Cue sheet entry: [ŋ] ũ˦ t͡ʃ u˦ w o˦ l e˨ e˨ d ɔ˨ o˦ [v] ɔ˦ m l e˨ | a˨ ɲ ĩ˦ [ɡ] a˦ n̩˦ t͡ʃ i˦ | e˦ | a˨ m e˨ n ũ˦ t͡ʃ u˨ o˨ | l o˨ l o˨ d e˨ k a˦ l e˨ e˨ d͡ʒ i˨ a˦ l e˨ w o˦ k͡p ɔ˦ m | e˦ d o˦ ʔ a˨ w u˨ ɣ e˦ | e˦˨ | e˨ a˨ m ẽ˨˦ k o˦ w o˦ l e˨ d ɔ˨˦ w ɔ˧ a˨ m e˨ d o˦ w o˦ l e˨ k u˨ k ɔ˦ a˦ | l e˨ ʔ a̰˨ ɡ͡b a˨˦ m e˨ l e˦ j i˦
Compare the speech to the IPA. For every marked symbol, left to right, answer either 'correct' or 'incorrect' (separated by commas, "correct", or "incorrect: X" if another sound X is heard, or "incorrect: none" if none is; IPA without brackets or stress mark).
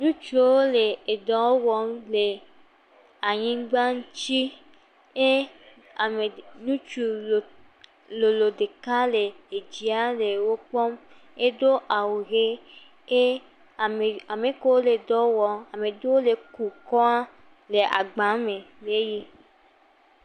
incorrect: n, incorrect: w, incorrect: ɡ͡b